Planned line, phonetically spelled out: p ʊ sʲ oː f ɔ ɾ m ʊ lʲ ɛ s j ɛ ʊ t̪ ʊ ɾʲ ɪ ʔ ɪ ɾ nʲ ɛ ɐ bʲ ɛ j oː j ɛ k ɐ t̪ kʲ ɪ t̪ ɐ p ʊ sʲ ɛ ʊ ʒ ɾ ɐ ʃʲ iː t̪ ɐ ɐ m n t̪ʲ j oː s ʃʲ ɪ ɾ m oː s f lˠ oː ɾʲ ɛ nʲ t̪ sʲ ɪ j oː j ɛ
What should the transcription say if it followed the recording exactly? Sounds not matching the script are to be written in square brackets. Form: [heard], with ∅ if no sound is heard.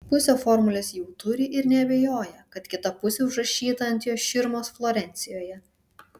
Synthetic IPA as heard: p ʊ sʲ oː f ɔ ɾ m ʊ lʲ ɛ s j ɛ ʊ t̪ ʊ ɾʲ ɪ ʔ ɪ ɾ nʲ ɛ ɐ bʲ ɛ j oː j ɛ k ɐ t̪ kʲ ɪ t̪ ɐ p ʊ sʲ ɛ ʊ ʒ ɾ ɐ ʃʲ iː t̪ ɐ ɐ [∅] n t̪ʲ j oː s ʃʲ ɪ ɾ m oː s f lˠ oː ɾʲ ɛ nʲ t̪ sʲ ɪ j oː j ɛ